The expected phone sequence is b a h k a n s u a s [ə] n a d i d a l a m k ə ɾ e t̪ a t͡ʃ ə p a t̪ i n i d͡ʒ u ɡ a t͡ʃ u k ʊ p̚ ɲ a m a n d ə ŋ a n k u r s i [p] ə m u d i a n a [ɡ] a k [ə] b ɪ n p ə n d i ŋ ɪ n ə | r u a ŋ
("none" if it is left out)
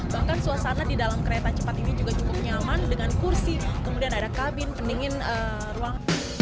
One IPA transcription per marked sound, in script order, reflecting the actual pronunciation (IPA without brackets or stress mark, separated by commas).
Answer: a, k, d, a